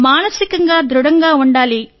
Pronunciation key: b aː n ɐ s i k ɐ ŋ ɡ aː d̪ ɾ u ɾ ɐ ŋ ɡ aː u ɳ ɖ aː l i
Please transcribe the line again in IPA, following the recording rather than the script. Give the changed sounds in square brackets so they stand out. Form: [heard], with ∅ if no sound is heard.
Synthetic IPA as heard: [m] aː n ɐ s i k ɐ ŋ ɡ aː d̪ ɾ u [ɽ] ɐ ŋ ɡ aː u ɳ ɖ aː l i